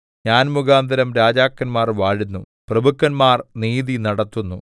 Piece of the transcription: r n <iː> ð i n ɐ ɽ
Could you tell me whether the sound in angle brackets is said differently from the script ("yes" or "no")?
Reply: no